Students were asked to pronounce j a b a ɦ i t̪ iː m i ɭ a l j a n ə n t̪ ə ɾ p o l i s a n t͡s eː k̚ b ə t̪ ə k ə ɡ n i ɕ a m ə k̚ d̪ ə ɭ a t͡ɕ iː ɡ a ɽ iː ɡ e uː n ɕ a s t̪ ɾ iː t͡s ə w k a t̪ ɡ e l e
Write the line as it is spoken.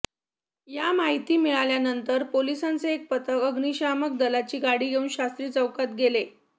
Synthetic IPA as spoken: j a m a ɦ i t̪ iː m i ɭ a l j a n ə n t̪ ə ɾ p o l i s a n t͡s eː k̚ p ə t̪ ə k ə ɡ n i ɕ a m ə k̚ d̪ ə l a t͡ɕ iː ɡ a ɽ iː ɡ e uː n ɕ a s t̪ ɾ iː t͡s ə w k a t̪ ɡ e l e